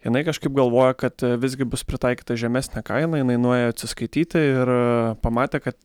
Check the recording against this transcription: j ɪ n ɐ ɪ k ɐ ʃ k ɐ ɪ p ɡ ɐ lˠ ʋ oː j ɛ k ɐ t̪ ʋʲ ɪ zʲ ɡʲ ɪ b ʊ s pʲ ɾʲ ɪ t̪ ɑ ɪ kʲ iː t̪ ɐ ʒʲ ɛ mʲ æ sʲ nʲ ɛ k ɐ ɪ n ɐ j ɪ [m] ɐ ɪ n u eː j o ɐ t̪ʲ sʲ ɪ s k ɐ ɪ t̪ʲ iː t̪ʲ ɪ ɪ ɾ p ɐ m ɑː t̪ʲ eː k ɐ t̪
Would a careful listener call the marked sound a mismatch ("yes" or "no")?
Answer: yes